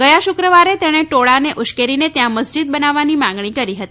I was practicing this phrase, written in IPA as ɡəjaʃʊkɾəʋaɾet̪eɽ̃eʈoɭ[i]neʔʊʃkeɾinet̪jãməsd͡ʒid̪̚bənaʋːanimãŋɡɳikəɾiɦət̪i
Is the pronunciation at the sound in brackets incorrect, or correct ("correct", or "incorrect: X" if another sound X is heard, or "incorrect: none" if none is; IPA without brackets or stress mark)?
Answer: incorrect: a